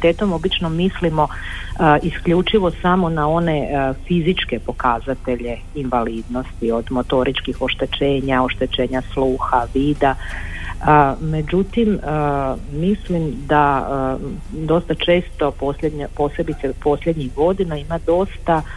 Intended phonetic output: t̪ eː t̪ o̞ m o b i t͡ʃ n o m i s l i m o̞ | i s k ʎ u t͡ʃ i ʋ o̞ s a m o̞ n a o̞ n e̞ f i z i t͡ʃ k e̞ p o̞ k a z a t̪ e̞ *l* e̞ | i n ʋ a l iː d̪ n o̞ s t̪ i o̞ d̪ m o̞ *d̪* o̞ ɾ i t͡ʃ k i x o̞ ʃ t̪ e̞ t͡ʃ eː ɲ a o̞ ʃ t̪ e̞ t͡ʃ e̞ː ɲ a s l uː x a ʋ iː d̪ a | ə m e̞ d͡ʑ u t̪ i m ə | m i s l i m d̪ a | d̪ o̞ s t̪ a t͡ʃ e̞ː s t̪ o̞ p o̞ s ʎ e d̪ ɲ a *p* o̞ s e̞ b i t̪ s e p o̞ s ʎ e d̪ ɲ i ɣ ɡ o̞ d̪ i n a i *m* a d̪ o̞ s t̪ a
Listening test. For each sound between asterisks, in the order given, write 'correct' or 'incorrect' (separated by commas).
incorrect, incorrect, correct, correct